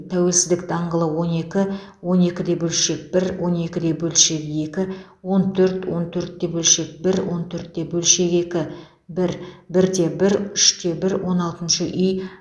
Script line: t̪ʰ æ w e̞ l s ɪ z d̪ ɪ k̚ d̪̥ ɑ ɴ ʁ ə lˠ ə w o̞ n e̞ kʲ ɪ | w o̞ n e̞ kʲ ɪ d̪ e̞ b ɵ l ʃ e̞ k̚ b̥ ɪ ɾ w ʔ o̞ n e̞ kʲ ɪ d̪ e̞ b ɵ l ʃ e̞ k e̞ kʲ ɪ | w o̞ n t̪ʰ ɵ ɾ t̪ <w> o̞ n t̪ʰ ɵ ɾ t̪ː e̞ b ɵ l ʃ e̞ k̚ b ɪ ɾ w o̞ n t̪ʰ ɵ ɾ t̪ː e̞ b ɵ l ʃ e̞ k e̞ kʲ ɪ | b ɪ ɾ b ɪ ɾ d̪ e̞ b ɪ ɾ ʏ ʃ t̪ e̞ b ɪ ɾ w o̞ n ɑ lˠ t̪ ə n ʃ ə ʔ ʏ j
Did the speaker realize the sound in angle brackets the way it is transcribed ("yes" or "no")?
yes